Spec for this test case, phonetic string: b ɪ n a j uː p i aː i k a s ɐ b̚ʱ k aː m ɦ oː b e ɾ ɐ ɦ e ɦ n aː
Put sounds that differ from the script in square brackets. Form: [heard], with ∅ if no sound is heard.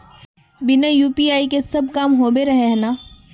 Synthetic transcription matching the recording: b ɪ n a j uː p i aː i k [e] s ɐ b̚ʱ k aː m ɦ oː b e ɾ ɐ ɦ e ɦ n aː